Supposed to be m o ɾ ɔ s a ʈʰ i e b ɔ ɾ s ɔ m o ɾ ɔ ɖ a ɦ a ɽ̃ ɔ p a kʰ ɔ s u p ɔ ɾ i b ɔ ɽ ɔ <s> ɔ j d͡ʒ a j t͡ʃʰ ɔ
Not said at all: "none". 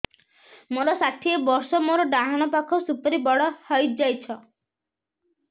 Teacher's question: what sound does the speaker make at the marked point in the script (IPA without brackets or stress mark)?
h